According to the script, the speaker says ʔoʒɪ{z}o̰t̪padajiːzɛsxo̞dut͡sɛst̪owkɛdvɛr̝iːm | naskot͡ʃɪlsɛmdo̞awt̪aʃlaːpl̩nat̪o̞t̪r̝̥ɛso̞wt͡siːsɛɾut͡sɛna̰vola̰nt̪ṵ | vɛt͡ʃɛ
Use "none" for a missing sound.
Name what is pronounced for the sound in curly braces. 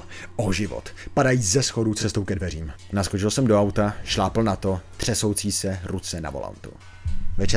v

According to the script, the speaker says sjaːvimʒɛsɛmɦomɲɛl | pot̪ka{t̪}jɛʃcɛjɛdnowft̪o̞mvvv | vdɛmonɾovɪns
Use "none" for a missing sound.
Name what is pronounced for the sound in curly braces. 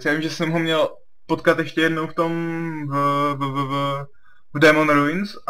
t̪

